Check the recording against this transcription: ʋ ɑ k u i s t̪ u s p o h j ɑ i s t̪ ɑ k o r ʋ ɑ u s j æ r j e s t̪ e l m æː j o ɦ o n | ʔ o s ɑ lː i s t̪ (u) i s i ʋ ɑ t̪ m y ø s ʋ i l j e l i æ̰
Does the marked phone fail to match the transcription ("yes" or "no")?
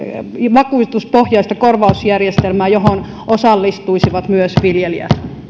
no